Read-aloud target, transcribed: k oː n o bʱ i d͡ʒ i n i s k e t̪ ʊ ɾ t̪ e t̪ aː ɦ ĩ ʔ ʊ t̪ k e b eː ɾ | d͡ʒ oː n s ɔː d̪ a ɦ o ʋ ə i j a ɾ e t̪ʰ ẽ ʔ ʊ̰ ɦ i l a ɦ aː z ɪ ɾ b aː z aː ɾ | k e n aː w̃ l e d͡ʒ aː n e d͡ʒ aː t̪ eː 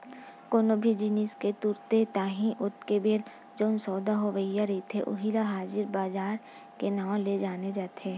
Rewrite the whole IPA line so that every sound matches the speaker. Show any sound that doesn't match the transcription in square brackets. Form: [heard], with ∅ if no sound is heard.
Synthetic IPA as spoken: k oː n o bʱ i d͡ʒ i n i s k e t̪ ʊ ɾ t̪ e t̪ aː ɦ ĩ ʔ ʊ t̪ k e b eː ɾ | d͡ʒ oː n s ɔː d̪ a ɦ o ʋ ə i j a ɾ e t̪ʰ [e] ʔ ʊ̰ ɦ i l a ɦ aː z ɪ ɾ b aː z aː ɾ | k e n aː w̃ l e d͡ʒ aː n e d͡ʒ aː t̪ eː